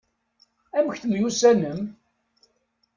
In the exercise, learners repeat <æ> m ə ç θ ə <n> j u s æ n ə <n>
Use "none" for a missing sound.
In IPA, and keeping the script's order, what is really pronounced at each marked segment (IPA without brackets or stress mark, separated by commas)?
æ, m, m